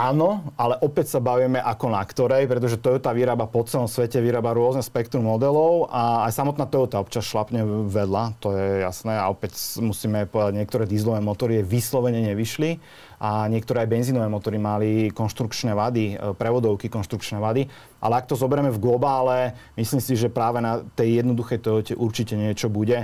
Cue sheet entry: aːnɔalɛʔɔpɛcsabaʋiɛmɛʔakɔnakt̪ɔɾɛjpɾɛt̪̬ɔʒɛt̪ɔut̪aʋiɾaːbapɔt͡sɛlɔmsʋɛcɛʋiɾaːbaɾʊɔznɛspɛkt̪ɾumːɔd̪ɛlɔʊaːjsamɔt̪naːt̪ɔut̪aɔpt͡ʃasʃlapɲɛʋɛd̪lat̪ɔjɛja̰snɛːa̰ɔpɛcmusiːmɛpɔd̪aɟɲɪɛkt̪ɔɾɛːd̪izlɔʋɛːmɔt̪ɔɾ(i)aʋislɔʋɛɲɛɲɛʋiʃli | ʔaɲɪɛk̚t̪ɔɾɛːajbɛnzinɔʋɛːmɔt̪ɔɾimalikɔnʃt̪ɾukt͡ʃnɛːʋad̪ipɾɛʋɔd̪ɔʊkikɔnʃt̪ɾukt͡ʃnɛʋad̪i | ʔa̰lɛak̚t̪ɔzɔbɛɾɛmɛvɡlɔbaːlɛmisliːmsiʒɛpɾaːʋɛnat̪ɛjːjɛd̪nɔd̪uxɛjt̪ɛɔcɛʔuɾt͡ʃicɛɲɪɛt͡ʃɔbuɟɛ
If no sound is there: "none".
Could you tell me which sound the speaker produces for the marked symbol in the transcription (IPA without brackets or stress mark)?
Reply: i